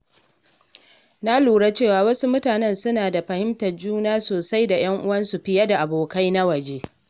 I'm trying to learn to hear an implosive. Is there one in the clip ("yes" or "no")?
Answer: no